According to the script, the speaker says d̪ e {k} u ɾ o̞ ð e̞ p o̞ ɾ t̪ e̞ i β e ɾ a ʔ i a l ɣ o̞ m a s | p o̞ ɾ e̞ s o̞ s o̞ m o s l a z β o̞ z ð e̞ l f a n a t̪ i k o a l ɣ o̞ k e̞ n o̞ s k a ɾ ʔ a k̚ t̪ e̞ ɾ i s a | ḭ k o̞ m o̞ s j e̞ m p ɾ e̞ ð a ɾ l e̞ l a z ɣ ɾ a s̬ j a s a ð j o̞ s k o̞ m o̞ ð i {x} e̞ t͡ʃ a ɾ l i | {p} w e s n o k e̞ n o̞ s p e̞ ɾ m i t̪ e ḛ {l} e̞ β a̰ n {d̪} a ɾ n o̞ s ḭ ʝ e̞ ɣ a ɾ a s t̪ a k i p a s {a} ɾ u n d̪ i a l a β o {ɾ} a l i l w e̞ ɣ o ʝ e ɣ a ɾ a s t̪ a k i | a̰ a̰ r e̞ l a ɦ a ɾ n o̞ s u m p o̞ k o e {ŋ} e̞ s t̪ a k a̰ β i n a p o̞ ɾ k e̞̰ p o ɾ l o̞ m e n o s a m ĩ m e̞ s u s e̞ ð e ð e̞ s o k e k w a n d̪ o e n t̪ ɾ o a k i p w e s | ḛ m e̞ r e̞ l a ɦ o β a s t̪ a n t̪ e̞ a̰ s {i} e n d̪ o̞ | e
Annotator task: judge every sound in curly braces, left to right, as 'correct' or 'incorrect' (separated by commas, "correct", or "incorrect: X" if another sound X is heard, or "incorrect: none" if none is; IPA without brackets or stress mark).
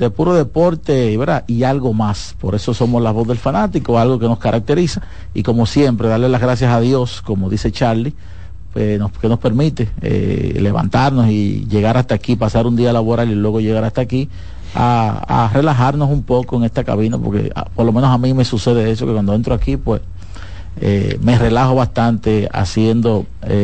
incorrect: p, incorrect: s, correct, correct, incorrect: t̪, correct, correct, correct, incorrect: j